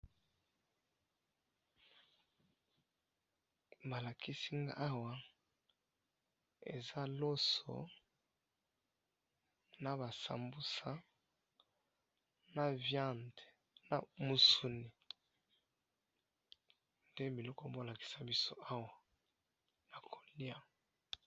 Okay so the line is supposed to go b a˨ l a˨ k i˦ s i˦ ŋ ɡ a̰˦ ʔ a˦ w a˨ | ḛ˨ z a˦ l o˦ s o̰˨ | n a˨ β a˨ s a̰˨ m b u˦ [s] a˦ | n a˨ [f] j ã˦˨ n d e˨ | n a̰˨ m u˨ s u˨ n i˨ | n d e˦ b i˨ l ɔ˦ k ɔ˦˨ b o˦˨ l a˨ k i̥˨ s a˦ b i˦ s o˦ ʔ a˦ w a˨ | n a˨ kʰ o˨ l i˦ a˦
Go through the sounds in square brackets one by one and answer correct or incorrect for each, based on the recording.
correct, incorrect

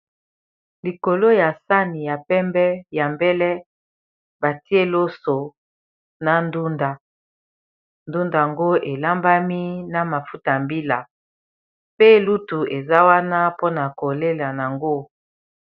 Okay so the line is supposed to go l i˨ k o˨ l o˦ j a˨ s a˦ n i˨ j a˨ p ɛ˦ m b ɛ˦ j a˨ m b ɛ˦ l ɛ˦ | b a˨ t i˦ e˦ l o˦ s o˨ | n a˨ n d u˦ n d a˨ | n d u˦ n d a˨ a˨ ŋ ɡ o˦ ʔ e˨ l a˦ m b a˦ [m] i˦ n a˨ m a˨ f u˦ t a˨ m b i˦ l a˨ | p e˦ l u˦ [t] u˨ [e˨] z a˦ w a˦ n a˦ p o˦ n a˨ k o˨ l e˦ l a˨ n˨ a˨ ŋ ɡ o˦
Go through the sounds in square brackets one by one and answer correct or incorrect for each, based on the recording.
correct, correct, correct

